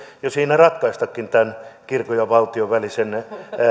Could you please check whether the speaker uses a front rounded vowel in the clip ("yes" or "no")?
no